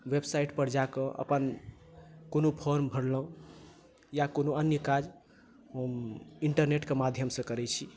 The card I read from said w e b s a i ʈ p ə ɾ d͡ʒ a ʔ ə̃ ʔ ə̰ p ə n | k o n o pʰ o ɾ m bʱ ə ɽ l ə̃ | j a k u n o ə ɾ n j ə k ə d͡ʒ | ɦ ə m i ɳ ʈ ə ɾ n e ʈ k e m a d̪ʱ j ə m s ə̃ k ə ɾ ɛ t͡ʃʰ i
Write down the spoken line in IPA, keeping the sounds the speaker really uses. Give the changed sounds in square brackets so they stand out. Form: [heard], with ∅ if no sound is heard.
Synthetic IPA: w e b s a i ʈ p ə ɾ d͡ʒ a [k] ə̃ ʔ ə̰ p ə n | k o n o pʰ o ɾ m bʱ ə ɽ l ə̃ | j a k [o] n o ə [∅] n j ə k [a] d͡ʒ | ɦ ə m i ɳ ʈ ə ɾ n e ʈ k e m a d̪ʱ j ə m s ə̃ k ə ɾ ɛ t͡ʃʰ i